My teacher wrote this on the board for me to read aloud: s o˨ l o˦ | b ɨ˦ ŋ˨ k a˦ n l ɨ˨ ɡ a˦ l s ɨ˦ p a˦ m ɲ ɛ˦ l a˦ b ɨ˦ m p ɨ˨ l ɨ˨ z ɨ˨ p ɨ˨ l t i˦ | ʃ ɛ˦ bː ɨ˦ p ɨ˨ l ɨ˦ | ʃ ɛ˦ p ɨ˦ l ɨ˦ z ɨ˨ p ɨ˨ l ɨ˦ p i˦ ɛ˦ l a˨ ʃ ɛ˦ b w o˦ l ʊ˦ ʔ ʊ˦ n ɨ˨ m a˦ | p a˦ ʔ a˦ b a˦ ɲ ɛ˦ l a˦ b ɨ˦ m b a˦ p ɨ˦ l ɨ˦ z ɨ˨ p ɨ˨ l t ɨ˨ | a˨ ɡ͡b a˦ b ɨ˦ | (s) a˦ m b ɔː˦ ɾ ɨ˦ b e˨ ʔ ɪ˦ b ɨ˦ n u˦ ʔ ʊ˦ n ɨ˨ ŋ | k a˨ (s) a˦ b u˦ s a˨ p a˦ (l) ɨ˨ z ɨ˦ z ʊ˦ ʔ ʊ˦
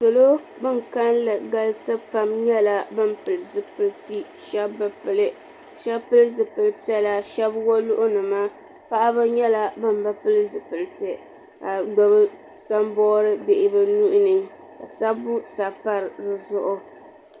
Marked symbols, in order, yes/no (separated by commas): yes, yes, no